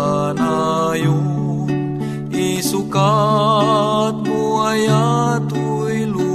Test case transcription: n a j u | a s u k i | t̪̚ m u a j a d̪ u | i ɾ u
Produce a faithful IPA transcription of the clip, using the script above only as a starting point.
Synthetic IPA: n a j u | i s u k a | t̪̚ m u a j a t̪ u | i l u